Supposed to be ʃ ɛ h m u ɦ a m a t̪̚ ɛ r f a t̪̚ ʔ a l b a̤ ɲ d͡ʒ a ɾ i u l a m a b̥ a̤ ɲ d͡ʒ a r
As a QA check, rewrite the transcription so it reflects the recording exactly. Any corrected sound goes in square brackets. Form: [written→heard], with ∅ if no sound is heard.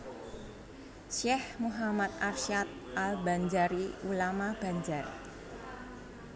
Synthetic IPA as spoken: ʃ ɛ h m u ɦ a m a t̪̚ [ɛ→a] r [f→ʃ] a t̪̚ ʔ a l b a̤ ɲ d͡ʒ a ɾ i u l a m a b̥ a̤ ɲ d͡ʒ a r